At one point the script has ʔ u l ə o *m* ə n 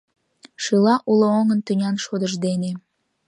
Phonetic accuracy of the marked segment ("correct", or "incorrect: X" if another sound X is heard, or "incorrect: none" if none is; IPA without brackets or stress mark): incorrect: ŋ